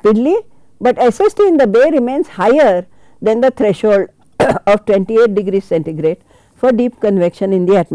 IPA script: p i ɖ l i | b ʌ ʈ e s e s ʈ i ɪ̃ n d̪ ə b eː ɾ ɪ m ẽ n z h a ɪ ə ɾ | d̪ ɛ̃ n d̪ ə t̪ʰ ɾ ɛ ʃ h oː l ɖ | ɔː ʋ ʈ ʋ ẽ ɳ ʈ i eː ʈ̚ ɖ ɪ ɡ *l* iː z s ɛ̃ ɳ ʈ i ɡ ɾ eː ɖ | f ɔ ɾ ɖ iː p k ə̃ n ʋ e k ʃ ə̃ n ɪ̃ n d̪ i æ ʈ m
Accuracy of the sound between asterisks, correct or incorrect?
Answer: incorrect: ɾ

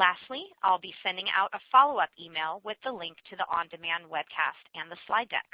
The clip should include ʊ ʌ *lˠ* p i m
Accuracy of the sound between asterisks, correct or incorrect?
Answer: incorrect: none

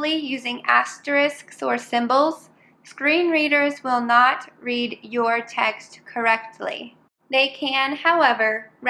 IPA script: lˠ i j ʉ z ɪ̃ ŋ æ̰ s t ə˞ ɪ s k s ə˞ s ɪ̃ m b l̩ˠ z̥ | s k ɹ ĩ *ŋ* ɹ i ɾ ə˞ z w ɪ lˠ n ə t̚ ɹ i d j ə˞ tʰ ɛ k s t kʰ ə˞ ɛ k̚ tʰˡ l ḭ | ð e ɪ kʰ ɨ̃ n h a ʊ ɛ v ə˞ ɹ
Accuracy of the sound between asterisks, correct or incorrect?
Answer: incorrect: n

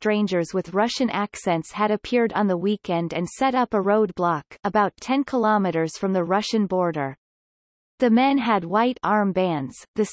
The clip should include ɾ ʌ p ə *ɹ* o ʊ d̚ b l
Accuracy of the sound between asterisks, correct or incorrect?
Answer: correct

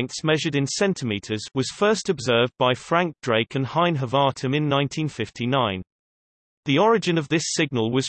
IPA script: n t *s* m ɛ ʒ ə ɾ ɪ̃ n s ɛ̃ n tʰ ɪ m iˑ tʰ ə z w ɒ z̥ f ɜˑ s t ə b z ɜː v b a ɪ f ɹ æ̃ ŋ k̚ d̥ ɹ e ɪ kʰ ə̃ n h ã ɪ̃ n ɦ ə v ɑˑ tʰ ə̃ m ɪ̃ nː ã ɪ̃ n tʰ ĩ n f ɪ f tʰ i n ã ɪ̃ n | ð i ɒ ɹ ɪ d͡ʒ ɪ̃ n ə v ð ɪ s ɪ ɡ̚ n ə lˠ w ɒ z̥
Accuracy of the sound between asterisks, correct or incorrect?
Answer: correct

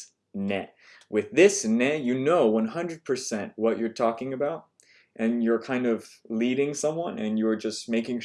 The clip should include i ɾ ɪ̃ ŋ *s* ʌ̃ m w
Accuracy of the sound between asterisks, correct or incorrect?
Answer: correct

